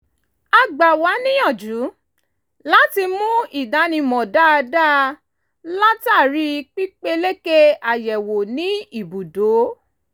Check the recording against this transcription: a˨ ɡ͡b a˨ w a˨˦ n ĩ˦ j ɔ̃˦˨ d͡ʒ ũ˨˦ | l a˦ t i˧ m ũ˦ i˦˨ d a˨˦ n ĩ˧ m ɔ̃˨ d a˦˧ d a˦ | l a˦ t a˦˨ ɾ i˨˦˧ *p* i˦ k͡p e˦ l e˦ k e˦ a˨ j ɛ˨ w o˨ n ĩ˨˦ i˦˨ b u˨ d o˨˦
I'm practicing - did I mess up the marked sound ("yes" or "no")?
yes